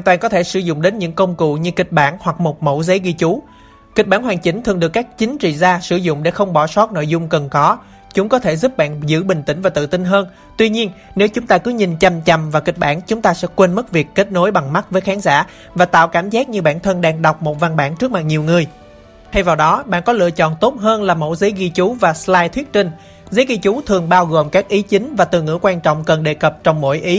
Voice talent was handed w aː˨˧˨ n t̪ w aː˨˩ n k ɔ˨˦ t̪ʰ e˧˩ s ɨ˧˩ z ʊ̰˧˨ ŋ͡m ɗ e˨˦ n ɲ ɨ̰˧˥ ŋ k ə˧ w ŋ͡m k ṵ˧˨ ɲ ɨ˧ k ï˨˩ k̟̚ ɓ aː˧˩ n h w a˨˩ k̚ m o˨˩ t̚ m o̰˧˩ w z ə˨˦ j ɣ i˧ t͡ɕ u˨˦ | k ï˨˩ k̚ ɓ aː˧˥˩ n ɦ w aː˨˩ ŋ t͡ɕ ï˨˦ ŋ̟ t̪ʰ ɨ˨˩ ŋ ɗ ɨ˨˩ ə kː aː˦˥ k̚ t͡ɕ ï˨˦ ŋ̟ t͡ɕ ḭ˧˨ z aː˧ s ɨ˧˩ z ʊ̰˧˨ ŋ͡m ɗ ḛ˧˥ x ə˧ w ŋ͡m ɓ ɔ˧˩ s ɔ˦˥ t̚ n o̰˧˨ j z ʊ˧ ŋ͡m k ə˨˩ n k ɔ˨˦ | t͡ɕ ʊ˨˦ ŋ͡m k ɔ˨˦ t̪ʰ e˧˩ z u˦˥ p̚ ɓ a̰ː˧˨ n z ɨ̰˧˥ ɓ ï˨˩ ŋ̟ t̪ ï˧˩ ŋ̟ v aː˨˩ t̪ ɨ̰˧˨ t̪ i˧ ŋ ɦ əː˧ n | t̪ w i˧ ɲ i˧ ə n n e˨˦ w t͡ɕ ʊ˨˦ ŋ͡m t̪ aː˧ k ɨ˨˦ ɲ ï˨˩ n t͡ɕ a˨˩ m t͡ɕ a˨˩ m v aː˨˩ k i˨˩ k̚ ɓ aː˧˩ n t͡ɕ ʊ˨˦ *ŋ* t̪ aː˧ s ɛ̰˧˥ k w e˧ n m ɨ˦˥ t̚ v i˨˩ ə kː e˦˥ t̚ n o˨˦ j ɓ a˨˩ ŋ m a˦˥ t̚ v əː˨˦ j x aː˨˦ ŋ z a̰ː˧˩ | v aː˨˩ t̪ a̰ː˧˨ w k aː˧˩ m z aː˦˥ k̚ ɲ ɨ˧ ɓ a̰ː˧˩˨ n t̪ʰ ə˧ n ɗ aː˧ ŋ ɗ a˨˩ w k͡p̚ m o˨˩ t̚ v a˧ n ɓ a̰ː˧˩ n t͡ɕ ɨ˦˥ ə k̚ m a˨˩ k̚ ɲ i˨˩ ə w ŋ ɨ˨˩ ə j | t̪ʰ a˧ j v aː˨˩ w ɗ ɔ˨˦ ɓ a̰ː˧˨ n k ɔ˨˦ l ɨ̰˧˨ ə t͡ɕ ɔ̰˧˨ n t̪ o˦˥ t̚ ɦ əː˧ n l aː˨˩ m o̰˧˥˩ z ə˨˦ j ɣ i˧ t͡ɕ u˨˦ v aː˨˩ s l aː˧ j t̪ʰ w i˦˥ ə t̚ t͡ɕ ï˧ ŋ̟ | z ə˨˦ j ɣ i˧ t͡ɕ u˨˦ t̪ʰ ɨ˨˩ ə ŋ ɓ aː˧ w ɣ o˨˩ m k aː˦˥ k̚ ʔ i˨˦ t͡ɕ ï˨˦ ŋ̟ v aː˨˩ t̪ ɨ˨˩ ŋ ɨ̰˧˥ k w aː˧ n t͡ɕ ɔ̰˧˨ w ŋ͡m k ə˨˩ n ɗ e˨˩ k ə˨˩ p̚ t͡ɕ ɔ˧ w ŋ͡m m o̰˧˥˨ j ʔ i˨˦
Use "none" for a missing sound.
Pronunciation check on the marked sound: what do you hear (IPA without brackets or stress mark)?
ŋ͡m